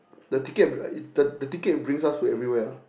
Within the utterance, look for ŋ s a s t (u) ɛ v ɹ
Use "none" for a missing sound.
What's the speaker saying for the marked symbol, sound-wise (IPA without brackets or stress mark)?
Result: u